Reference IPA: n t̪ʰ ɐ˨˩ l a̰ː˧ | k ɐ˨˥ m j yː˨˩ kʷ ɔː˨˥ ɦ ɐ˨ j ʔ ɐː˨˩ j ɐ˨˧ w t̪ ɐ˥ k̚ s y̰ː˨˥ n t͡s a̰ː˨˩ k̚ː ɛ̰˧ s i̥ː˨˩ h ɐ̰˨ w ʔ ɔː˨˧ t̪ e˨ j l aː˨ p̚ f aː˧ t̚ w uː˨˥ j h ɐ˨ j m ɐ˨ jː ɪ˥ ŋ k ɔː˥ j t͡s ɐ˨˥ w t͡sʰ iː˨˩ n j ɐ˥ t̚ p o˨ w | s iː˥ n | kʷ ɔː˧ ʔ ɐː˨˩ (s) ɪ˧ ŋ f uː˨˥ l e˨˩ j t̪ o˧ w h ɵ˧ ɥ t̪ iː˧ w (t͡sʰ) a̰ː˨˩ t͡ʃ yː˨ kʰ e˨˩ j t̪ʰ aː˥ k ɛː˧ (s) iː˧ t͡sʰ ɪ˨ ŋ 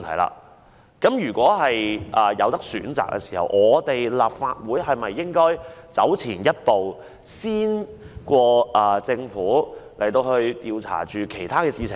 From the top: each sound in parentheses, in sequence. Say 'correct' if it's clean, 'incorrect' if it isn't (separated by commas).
incorrect, correct, correct